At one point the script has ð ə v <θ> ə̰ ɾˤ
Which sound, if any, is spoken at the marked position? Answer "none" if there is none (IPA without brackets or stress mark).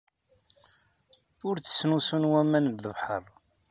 ħ